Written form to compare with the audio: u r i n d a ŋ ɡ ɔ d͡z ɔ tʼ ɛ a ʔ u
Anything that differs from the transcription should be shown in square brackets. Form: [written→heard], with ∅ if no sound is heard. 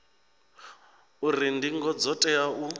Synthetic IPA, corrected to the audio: u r i n d [a→i] ŋ ɡ ɔ d͡z ɔ tʼ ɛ a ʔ u